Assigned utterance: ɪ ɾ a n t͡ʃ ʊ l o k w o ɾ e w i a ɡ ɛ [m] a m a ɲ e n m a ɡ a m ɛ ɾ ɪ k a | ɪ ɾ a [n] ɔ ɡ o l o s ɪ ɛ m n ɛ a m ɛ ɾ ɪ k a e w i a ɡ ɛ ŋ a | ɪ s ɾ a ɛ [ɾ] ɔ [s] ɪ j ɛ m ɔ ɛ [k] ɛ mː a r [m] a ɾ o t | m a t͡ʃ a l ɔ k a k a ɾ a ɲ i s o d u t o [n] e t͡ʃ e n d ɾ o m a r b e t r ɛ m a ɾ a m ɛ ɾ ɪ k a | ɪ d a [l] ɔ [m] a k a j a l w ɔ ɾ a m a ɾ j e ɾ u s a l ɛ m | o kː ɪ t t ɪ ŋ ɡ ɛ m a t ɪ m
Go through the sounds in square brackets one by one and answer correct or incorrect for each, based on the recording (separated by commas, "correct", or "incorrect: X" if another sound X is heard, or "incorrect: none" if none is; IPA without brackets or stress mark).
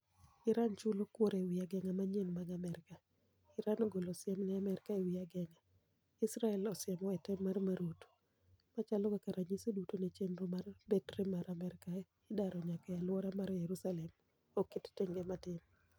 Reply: incorrect: ŋ, correct, incorrect: l, correct, incorrect: t, correct, correct, incorrect: ɾ, incorrect: ɲ